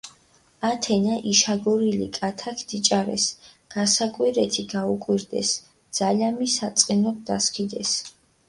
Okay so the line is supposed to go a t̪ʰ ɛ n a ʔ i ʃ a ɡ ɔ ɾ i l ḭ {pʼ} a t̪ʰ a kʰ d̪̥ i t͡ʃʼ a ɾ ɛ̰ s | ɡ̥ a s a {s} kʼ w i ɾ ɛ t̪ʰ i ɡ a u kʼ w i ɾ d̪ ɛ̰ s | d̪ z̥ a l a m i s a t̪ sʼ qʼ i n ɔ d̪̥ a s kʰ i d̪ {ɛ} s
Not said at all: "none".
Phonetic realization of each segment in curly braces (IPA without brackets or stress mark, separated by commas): kʼ, none, ɛ